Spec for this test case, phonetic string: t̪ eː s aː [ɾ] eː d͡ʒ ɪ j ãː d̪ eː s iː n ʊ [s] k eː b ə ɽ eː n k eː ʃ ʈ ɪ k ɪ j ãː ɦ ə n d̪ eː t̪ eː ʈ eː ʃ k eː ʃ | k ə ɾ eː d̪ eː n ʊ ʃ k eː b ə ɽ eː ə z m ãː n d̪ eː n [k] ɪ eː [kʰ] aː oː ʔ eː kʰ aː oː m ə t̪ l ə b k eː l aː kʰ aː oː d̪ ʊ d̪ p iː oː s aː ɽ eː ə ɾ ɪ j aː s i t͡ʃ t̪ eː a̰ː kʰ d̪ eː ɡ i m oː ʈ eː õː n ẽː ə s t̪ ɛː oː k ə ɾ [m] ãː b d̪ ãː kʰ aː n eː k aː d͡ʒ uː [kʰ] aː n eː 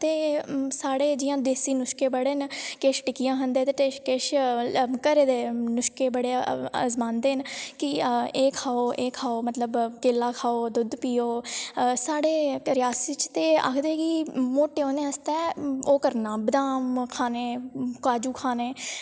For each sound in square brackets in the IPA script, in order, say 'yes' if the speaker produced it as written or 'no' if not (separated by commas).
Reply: no, no, yes, yes, no, yes